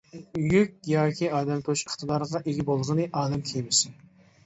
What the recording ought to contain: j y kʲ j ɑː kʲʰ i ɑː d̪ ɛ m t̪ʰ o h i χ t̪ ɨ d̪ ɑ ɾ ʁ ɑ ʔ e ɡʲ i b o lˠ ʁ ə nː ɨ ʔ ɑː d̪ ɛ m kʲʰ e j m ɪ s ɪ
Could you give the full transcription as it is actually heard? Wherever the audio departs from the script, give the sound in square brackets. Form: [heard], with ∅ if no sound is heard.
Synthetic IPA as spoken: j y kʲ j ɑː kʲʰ i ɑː d̪ ɛ m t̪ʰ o [ʃ] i χ t̪ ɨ d̪ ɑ ɾ ʁ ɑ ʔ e ɡʲ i b o lˠ ʁ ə [n] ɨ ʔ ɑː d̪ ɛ m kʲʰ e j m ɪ s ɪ